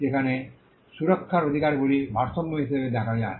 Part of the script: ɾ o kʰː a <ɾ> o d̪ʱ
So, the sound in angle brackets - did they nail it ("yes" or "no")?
yes